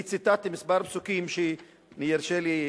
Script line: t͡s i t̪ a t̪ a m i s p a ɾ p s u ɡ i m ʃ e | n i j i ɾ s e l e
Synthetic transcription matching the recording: t͡s i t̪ a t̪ i m i s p a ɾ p s u k i m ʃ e | n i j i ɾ ʃ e l i